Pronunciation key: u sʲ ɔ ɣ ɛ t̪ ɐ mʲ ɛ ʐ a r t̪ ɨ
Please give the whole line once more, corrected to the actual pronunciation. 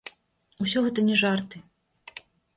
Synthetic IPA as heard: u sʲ ɔ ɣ ɛ t̪ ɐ nʲ ɛ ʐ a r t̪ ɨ